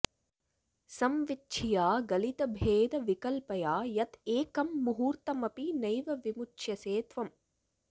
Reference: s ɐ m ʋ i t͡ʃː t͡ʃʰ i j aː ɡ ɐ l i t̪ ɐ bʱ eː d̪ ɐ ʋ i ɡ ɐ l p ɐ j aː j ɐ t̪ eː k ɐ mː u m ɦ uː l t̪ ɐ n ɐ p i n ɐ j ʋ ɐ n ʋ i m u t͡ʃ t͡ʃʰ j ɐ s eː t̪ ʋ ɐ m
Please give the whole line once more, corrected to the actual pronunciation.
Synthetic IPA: s ɐ m ʋ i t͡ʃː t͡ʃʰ i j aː ɡ ɐ l i t̪ ɐ bʱ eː d̪ ɐ ʋ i k ɐ l p ɐ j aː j ɐ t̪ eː k ɐ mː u ɦ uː ɾ t̪ ɐ m ɐ p i n ɐ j ʋ ɐ ʋ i m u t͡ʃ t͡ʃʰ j ɐ s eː t̪ ʋ ɐ m

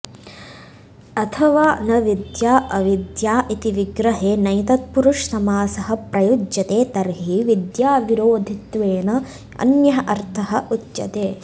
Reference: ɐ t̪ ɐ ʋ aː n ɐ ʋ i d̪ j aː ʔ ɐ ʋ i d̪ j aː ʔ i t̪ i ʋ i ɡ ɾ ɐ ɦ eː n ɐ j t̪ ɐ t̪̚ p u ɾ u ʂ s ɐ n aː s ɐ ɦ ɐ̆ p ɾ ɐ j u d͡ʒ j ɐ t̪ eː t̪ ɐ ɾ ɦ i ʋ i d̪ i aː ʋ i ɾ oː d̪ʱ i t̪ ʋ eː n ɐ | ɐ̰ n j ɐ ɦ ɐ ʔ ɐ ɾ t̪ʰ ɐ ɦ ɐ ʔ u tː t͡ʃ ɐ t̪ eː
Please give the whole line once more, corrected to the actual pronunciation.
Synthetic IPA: ɐ t̪ʰ ɐ ʋ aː n ɐ ʋ i d̪ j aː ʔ ɐ ʋ i d̪ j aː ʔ i t̪ i ʋ i ɡ ɾ ɐ ɦ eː n ɐ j t̪ ɐ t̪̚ p u ɾ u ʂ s ɐ m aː s ɐ ɦ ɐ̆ p ɾ ɐ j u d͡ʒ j ɐ t̪ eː t̪ ɐ ɾ ɦ i ʋ i d̪ j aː ʋ i ɾ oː d̪ʱ i t̪ ʋ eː n ɐ | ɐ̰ n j ɐ ɦ ɐ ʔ ɐ ɾ t̪ʰ ɐ ɦ ɐ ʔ u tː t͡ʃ ɐ t̪ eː

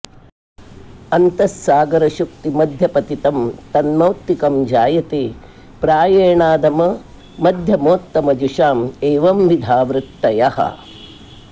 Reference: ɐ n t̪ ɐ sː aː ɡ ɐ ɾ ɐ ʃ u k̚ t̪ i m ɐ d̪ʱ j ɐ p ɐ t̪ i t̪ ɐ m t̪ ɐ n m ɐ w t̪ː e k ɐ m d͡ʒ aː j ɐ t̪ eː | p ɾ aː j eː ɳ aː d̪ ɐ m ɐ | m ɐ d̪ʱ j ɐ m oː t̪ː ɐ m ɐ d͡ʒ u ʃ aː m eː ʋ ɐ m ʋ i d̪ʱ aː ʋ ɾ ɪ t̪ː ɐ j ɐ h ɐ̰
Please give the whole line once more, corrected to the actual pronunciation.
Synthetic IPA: ɐ n t̪ ɐ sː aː ɡ ɐ ɾ ɐ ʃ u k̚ t̪ i m ɐ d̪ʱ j ɐ p ɐ t̪ i t̪ ɐ m t̪ ɐ n m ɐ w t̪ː i k ɐ m d͡ʒ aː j ɐ t̪ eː | p ɾ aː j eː ɳ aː d̪ ɐ m ɐ | m ɐ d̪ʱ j ɐ m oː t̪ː ɐ m ɐ d͡ʒ u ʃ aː m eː ʋ ɐ m ʋ i d̪ʱ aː ʋ ɾ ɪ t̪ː ɐ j ɐ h ɐ̰

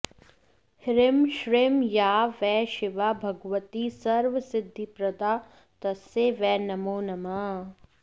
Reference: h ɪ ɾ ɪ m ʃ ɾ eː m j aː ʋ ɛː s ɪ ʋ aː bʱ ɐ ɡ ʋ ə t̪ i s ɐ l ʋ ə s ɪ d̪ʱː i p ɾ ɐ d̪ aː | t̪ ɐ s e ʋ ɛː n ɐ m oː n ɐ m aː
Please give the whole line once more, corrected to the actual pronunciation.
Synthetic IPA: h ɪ ɾ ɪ m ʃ ɾ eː m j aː ʋ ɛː ʃ ɪ ʋ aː bʱ ɐ ɡ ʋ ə t̪ i s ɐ ɾ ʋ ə s ɪ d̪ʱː i p ɾ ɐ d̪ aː | t̪ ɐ s e ʋ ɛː n ɐ m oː n ɐ m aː

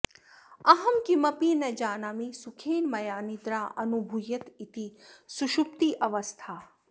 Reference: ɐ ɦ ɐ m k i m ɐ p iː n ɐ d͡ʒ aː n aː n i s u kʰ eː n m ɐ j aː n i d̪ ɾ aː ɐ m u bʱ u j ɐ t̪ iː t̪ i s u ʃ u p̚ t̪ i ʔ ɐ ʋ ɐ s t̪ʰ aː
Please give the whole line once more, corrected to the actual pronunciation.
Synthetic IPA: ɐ ɦ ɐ m k i m ɐ p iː n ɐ d͡ʒ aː n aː m i s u kʰ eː n m ɐ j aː n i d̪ ɾ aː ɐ n u bʱ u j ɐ t̪ i t̪ i s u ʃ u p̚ t̪ i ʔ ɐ ʋ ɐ s t̪ʰ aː

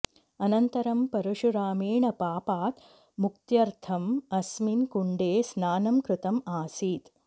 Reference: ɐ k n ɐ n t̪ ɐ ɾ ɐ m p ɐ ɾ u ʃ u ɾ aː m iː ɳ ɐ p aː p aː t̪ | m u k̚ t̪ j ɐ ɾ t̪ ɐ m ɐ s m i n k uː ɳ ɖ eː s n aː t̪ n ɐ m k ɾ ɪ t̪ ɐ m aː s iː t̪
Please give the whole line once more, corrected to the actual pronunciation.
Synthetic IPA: ɐ n ɐ n t̪ ɐ ɾ ɐ m p ɐ ɾ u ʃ u ɾ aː m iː ɳ ɐ p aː p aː t̪ | m u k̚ t̪ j ɐ ɾ t̪ʰ ɐ m ɐ s m i n k u ɳ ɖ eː s n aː n ɐ m k ɾ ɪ t̪ ɐ m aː s iː t̪

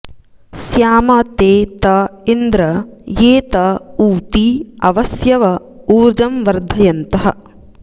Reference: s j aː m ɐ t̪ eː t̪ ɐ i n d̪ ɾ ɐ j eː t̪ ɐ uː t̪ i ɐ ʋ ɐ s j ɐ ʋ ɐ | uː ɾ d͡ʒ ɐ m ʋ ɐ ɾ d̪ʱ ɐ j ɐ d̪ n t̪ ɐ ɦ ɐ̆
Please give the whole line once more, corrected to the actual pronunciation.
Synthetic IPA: s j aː m ɐ t̪ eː t̪ ɐ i n d̪ ɾ ɐ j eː t̪ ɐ uː t̪ i ɐ ʋ ɐ s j ɐ ʋ ɐ | uː ɾ d͡ʒ ɐ m ʋ ɐ ɾ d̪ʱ ɐ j ɐ n t̪ ɐ ɦ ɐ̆

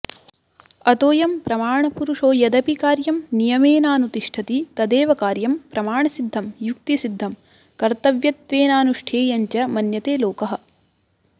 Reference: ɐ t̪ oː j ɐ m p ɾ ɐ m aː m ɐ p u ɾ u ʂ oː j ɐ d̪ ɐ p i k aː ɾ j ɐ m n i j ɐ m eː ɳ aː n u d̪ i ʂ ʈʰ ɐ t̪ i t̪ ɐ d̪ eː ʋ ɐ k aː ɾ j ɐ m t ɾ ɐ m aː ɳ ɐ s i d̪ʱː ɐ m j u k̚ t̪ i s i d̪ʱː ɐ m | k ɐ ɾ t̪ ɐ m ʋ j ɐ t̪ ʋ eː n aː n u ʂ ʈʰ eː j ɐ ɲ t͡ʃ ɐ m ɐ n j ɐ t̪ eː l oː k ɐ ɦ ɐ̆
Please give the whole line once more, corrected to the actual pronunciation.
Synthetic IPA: ɐ t̪ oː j ɐ m p ɾ ɐ m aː ɳ ɐ p u ɾ u ʂ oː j ɐ d̪ ɐ p i k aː ɾ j ɐ m n i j ɐ m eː n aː n u t̪ i ʂ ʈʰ ɐ t̪ i t̪ ɐ d̪ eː ʋ ɐ k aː ɾ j ɐ m p ɾ ɐ m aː ɳ ɐ s i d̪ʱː ɐ m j u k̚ t̪ i s i d̪ʱː ɐ m | k ɐ ɾ t̪ ɐ ʋ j ɐ t̪ ʋ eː n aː n u ʂ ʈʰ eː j ɐ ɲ t͡ʃ ɐ m ɐ n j ɐ t̪ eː l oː k ɐ ɦ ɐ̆

